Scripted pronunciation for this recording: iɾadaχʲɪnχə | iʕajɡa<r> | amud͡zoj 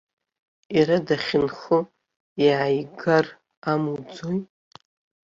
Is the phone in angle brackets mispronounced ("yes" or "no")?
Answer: no